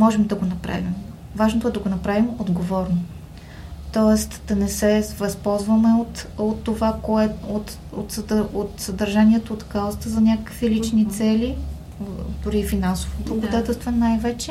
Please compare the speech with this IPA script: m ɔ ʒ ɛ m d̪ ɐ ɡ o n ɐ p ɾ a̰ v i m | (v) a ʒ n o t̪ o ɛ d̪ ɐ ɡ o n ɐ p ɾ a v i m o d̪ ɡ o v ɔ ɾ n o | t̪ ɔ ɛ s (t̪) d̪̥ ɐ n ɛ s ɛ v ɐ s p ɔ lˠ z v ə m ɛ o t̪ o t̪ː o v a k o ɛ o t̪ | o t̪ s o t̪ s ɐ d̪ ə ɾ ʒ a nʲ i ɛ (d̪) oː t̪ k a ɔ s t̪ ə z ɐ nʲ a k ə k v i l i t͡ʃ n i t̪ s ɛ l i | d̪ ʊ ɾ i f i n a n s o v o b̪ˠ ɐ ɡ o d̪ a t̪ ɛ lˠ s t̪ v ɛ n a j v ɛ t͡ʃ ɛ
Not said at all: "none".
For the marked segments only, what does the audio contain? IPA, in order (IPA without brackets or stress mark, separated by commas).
v, t̪, t̪